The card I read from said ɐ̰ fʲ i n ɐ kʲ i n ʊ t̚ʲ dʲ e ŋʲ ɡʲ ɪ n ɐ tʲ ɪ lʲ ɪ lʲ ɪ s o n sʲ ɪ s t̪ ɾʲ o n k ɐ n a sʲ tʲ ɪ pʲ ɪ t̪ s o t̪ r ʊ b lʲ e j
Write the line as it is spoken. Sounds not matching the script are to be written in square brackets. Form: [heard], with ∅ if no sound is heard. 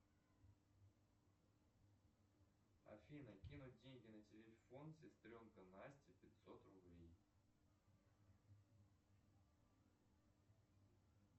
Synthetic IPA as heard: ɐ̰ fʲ i n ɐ kʲ i n ʊ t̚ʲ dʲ e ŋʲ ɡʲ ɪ n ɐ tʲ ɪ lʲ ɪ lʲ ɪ [f] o n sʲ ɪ s t̪ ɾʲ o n k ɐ n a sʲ tʲ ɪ pʲ ɪ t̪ s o t̪ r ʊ b lʲ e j